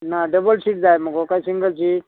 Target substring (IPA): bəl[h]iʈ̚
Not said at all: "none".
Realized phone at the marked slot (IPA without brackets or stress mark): s